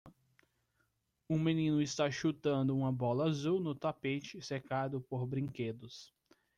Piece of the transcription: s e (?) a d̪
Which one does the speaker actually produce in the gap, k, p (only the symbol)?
k